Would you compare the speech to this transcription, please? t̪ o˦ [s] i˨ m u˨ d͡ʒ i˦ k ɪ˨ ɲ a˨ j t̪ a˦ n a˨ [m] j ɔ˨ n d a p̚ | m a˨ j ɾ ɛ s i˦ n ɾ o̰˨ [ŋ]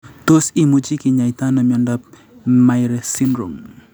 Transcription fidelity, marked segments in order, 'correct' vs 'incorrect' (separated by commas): correct, correct, correct